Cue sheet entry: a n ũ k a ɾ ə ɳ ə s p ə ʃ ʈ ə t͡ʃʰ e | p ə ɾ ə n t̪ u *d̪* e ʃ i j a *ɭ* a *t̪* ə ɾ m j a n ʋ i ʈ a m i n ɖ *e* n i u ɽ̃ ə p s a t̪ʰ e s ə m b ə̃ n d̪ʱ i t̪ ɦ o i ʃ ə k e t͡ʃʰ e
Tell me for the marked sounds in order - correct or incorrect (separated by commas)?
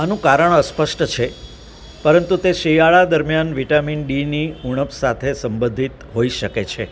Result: incorrect, correct, incorrect, incorrect